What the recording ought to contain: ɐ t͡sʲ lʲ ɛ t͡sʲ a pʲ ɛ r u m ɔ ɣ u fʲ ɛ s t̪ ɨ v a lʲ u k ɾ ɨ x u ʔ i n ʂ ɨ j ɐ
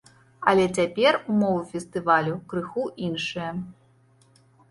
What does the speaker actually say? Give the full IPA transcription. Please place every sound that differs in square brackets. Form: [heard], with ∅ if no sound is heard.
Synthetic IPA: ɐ [∅] lʲ ɛ t͡sʲ a pʲ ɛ r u m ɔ [v] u fʲ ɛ s t̪ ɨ v a lʲ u k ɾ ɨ x u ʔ i n ʂ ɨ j ɐ